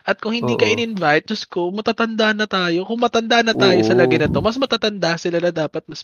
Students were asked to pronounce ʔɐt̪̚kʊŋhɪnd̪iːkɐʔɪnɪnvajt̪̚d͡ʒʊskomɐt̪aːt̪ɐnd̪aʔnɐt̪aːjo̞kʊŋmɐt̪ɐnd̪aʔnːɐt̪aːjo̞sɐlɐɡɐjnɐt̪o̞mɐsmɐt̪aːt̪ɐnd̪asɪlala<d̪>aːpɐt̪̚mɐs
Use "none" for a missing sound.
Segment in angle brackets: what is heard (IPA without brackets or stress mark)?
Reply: d̪